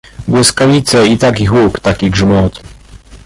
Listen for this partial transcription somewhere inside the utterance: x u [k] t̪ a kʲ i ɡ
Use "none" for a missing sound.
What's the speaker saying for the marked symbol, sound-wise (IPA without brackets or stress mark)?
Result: k